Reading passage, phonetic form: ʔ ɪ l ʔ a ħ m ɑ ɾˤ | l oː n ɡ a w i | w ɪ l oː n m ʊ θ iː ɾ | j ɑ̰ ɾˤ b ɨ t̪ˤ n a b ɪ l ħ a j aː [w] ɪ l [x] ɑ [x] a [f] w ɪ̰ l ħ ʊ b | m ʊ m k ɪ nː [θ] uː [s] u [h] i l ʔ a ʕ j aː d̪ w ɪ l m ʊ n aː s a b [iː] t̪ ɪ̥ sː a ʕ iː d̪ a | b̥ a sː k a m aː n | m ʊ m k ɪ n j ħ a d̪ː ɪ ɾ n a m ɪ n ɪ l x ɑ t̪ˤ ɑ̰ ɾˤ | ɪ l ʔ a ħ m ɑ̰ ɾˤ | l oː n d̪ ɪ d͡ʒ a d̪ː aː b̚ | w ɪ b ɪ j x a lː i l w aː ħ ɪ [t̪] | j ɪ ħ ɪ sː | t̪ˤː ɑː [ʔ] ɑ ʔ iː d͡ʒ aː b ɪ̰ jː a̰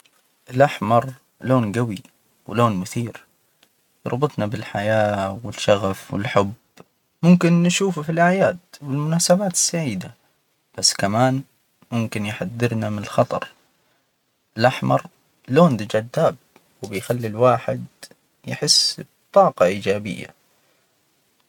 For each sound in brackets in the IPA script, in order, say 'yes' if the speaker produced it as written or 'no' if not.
yes, no, no, yes, no, no, no, no, no, no

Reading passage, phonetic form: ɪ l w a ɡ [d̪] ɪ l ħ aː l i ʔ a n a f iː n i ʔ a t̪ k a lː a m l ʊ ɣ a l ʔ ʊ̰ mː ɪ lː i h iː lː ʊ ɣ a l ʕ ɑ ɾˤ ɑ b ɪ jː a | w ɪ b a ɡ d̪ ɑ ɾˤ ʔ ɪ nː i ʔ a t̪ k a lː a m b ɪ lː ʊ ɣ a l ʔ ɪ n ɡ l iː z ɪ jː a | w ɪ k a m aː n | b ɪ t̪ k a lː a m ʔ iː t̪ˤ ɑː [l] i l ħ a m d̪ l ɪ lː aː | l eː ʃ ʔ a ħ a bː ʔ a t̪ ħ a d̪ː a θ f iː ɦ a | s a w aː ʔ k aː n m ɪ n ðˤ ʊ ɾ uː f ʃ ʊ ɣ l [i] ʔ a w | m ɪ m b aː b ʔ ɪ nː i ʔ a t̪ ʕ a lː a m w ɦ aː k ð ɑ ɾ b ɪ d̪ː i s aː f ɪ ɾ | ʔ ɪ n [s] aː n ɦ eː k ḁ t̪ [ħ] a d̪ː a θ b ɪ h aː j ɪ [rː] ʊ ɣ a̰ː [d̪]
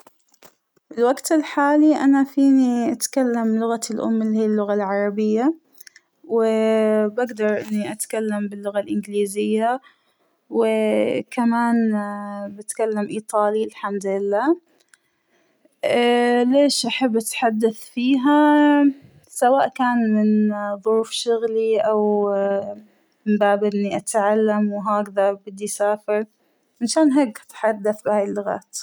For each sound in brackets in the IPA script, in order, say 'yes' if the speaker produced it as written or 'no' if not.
no, yes, yes, no, yes, no, no

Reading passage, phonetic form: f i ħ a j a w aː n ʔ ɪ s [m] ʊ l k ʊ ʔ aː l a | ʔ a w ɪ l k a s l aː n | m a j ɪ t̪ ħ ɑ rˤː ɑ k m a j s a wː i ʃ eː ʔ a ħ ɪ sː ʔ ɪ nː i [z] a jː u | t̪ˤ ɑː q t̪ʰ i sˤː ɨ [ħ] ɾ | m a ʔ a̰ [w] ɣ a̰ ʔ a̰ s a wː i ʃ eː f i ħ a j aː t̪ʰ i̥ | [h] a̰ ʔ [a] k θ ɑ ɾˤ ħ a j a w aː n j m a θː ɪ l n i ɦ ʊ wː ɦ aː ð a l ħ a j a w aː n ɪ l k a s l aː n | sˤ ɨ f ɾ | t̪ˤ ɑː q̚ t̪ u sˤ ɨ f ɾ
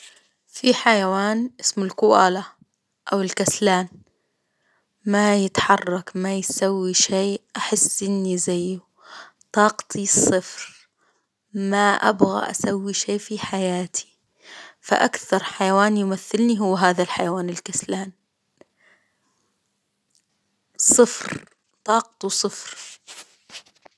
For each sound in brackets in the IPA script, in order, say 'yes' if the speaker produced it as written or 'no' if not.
yes, yes, no, no, no, yes

